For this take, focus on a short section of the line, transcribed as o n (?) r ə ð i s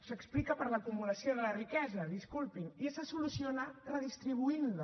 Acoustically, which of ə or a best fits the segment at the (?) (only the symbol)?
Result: a